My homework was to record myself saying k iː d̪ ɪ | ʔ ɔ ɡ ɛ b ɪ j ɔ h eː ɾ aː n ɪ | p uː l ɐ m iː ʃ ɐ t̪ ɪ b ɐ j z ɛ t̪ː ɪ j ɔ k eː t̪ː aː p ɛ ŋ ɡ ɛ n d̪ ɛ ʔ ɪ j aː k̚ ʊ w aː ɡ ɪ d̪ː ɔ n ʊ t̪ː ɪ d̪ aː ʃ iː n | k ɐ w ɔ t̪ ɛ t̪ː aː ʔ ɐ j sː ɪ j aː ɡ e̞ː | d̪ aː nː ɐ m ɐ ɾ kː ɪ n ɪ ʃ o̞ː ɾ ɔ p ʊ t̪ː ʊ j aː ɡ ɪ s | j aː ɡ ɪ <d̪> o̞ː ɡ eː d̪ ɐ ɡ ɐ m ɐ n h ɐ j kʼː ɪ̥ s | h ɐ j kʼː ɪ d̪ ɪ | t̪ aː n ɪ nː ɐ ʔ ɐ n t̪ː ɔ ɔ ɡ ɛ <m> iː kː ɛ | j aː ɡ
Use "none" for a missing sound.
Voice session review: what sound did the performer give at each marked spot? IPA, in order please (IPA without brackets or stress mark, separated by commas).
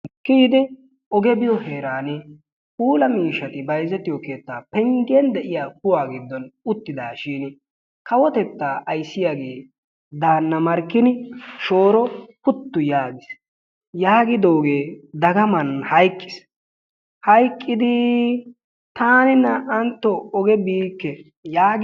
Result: d̪, b